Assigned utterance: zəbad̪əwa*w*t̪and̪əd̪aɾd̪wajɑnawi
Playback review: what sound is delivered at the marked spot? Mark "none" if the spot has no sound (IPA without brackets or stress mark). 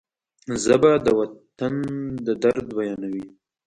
none